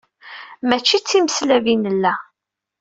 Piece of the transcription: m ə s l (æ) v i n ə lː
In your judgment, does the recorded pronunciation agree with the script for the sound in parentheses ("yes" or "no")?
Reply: yes